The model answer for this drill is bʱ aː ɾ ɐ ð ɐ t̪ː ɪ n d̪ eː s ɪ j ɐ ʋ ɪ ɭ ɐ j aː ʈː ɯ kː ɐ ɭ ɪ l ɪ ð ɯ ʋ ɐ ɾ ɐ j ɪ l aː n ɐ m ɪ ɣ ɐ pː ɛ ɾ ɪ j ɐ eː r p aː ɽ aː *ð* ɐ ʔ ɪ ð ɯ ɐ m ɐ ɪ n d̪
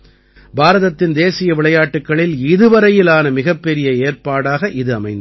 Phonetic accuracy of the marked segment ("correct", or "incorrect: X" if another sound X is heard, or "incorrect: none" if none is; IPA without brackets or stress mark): incorrect: ɣ